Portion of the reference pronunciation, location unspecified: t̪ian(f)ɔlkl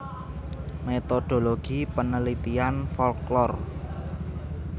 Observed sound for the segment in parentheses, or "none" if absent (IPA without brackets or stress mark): f